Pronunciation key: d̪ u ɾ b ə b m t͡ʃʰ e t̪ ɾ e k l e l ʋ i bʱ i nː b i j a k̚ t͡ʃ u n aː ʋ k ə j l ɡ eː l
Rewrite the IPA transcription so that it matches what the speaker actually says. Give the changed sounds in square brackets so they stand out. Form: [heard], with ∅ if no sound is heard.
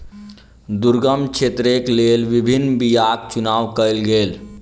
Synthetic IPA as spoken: d̪ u ɾ [ɡ] ə [∅] m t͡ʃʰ e t̪ ɾ e k l e l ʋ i bʱ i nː b i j a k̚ t͡ʃ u n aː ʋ k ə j l ɡ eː l